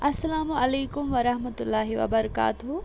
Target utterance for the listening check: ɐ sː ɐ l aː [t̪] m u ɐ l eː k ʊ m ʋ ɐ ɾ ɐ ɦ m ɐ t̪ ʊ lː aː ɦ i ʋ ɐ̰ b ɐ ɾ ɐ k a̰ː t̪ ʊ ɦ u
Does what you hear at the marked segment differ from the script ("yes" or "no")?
yes